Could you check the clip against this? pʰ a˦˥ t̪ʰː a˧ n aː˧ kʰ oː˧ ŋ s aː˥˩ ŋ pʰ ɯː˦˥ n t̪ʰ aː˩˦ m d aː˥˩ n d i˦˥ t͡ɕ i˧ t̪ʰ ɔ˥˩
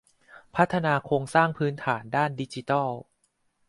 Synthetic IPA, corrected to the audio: pʰ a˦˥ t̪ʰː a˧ n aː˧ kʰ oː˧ ŋ s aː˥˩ ŋ pʰ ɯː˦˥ n t̪ʰ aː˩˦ n d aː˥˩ n d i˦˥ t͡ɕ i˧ t̪ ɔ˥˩